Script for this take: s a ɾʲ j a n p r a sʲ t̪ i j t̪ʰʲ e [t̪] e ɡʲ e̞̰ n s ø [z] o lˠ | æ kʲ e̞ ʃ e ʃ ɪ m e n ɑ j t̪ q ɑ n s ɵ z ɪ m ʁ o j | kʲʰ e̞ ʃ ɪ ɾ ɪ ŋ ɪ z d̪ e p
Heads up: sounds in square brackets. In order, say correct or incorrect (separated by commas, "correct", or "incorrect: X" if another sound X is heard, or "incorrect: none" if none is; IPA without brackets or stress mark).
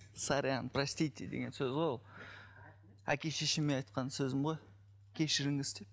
incorrect: d̪, correct